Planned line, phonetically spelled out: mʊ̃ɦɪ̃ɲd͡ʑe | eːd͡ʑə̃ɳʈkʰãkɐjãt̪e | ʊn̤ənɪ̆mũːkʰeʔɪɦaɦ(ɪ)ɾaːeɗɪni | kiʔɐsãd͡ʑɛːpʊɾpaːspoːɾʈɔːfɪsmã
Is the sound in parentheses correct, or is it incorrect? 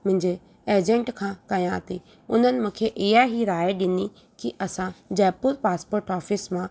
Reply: incorrect